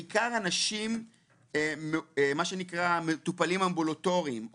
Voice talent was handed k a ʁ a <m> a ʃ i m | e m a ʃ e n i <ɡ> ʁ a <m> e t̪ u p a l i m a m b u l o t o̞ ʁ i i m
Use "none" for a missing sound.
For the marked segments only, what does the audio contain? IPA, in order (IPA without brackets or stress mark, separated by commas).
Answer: n, k, m